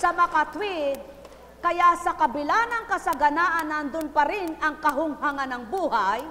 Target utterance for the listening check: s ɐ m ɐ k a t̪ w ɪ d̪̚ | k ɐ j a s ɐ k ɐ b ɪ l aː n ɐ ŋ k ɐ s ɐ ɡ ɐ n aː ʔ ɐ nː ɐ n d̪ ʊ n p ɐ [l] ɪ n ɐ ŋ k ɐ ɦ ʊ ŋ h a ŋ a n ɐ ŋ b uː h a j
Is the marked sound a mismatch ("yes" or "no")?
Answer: yes